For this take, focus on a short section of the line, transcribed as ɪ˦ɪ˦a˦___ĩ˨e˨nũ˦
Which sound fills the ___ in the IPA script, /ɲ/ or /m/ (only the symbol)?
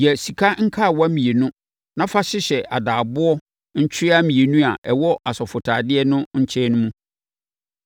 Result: m